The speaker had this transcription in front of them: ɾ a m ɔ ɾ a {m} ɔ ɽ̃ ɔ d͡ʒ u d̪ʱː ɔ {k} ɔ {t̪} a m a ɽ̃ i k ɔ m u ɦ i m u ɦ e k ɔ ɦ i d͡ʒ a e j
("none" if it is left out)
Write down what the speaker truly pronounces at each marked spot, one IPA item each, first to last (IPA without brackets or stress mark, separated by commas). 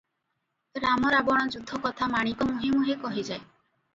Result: b, k, t̪ʰ